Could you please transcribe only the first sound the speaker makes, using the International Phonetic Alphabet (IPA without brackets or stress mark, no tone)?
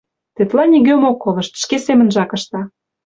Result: t̪